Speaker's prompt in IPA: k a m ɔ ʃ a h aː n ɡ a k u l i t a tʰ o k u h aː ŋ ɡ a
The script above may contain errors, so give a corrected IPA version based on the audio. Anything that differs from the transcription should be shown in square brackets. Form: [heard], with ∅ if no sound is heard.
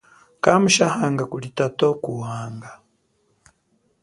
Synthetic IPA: k a m [u] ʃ a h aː [ŋ] ɡ a k u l i t a [t] o k u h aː ŋ ɡ a